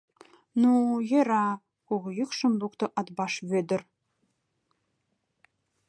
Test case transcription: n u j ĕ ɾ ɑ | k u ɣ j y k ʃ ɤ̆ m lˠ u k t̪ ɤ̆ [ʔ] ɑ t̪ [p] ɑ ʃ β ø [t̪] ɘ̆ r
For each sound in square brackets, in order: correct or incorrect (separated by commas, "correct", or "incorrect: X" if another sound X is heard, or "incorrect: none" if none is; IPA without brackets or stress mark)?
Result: correct, incorrect: b, incorrect: d̪